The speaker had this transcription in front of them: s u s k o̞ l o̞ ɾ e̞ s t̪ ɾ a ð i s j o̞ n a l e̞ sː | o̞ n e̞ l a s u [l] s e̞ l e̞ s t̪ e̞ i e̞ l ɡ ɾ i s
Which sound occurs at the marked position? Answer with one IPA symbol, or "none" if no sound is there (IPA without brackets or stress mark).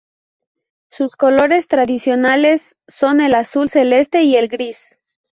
l